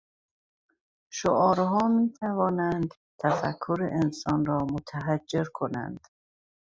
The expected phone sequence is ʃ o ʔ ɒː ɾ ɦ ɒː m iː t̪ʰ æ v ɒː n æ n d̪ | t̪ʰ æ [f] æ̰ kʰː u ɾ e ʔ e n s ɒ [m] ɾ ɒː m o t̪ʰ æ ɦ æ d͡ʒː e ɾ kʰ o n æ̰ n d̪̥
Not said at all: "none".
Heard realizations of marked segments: f, n

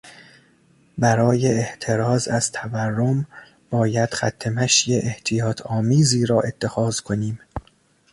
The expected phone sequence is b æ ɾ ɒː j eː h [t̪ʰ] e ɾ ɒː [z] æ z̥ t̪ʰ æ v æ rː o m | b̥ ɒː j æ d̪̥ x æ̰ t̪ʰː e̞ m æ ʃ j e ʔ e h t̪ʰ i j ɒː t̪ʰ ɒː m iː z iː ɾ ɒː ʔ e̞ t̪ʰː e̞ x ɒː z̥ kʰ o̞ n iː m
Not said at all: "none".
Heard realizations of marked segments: t̪ʰ, z

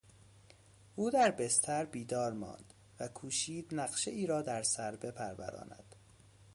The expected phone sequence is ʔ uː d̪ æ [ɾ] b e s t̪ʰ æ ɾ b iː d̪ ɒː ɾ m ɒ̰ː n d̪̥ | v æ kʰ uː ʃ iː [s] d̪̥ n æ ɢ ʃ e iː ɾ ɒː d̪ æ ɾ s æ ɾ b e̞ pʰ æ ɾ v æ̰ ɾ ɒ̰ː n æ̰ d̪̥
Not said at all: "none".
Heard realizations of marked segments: ɾ, none

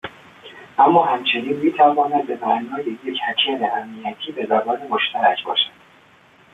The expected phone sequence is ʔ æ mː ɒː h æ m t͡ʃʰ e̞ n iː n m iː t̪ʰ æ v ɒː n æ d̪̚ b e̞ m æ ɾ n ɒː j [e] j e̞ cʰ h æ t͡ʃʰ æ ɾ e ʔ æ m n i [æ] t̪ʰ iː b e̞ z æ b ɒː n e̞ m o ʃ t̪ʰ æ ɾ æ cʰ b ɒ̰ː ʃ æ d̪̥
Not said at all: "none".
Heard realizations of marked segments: e, æ

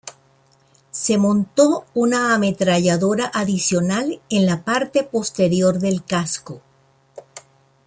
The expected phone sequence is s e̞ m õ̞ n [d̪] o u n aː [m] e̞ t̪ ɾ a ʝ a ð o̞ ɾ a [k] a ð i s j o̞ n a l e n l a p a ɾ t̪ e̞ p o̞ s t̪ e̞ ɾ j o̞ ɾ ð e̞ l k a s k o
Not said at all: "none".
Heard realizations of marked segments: t̪, m, ʔ

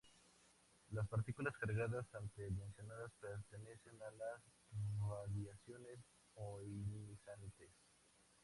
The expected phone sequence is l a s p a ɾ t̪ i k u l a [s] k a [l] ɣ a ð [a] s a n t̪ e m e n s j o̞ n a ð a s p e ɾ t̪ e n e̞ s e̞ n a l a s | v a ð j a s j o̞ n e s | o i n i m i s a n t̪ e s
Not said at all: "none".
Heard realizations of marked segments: s, ɾ, a

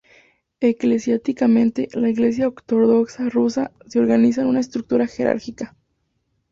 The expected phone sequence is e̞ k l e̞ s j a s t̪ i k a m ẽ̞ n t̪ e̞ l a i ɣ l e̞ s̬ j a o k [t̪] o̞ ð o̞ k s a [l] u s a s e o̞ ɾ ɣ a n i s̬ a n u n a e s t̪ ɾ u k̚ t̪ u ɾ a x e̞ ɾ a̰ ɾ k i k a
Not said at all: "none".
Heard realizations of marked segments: t̪, r

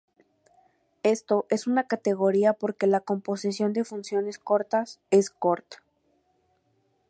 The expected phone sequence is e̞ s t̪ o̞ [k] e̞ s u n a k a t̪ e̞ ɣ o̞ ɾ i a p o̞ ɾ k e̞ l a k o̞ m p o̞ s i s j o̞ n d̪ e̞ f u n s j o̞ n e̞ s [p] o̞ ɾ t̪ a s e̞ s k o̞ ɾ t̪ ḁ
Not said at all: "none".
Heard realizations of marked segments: ʔ, k

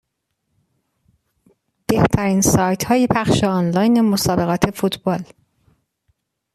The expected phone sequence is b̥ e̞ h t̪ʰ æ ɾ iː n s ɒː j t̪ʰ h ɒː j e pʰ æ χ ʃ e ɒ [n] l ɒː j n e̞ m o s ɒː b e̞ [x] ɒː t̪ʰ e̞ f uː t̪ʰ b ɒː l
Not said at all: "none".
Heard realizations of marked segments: n, ɣ

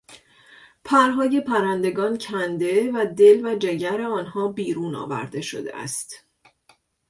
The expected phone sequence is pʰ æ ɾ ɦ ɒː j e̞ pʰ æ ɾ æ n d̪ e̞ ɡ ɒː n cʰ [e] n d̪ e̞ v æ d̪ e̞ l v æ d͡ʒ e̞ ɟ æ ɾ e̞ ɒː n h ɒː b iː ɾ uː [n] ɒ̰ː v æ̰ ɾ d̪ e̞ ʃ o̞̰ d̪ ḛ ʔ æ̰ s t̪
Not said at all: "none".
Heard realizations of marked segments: æ, n

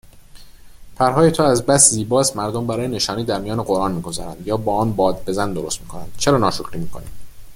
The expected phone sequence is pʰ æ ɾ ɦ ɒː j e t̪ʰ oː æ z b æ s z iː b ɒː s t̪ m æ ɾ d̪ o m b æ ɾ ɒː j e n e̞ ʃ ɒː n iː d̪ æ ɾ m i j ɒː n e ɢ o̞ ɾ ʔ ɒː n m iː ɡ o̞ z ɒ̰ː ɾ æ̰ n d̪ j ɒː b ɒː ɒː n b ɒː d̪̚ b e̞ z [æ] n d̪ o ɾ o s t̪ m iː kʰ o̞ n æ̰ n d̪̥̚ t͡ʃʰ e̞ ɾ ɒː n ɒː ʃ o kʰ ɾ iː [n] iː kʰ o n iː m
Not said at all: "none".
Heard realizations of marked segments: æ, m

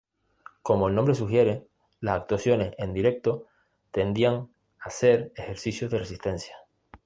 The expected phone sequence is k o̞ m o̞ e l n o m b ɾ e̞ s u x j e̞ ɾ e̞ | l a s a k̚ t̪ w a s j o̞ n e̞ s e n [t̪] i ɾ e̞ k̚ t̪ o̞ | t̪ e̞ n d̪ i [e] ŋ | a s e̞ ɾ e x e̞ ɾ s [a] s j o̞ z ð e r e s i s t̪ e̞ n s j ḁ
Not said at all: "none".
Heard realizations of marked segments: d̪, a, i

